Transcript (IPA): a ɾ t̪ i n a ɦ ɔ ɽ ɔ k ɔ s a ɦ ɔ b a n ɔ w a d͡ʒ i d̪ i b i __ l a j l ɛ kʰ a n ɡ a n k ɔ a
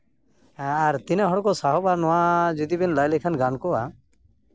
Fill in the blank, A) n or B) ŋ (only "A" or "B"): A